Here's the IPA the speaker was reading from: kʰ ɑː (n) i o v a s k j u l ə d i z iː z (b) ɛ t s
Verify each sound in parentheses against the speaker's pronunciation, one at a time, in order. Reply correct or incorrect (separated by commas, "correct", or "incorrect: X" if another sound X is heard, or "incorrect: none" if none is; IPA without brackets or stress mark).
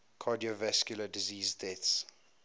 incorrect: d, incorrect: d